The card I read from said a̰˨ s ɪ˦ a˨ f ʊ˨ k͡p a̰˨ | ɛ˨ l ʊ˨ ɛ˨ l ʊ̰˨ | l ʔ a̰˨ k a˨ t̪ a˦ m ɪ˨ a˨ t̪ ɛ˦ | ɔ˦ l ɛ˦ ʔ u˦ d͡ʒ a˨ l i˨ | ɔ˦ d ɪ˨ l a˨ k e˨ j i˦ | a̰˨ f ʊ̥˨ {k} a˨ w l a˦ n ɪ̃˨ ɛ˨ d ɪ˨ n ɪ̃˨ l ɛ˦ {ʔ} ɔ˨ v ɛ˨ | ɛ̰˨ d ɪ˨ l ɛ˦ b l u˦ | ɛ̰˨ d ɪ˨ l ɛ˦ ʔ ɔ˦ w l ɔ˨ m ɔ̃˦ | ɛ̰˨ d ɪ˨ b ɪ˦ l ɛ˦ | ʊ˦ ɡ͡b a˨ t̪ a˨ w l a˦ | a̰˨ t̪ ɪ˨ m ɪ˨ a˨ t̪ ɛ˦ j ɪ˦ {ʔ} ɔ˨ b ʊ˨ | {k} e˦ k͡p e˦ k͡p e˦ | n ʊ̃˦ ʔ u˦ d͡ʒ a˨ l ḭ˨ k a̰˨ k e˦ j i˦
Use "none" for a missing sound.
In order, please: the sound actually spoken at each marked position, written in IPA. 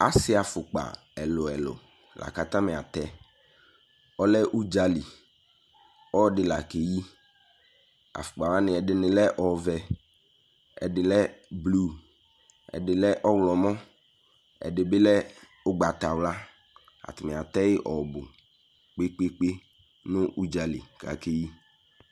k͡p, ʔ, ʔ, k͡p

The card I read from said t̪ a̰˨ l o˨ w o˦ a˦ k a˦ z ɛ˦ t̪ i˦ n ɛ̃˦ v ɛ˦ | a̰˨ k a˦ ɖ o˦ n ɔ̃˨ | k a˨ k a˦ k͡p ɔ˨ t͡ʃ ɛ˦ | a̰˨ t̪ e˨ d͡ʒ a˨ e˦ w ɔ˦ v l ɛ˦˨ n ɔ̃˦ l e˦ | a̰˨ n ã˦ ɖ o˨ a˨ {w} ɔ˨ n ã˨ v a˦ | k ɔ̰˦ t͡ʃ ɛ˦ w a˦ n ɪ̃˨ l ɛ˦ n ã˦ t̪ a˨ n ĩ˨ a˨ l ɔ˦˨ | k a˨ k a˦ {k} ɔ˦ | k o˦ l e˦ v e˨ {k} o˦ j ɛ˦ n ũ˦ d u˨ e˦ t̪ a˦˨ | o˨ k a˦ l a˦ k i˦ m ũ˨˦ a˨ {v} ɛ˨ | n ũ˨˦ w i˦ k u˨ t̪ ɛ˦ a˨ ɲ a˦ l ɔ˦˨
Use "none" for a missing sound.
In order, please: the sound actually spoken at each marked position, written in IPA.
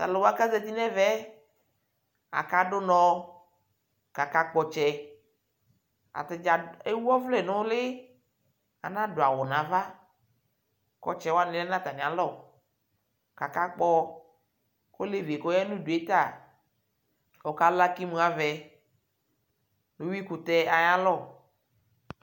w, k͡p, k, v

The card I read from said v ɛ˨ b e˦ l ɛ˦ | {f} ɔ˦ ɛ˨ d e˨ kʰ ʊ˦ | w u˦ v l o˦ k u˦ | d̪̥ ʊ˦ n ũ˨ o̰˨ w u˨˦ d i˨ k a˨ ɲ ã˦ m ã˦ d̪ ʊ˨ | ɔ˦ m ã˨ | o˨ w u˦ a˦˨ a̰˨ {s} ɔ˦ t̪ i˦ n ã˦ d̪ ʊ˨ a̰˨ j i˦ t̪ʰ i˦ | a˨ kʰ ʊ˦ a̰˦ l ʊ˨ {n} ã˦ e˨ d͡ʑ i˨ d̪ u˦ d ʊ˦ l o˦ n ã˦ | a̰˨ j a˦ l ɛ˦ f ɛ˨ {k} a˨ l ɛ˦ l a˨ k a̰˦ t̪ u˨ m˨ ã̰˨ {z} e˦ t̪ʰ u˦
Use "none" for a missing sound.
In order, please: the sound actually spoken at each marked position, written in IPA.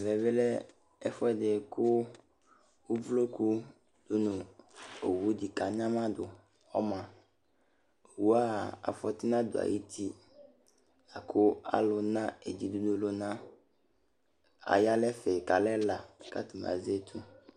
f, f, n, k, z

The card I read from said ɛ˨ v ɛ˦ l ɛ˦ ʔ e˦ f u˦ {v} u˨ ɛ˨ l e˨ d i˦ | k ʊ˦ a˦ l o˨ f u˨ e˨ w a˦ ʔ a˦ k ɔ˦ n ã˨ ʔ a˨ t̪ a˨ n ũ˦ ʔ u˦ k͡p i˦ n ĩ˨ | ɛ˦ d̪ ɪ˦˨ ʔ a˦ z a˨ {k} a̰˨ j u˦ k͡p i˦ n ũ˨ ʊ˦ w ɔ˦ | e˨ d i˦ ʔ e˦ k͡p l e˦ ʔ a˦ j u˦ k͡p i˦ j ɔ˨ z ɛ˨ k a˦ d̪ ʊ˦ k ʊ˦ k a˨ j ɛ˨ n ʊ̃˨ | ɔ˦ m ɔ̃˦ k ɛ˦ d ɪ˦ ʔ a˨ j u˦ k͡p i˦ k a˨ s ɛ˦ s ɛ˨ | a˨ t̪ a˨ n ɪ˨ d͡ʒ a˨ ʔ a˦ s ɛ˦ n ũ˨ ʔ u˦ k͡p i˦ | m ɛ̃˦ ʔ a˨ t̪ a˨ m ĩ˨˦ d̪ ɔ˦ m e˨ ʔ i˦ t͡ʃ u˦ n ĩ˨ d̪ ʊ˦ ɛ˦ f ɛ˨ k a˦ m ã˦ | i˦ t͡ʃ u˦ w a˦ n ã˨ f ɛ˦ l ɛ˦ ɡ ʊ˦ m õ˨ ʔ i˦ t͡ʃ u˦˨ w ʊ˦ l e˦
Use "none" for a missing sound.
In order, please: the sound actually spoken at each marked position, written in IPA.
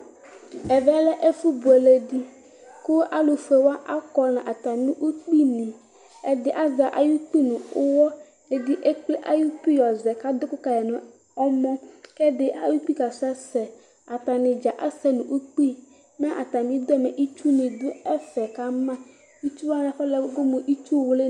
b, ʔ

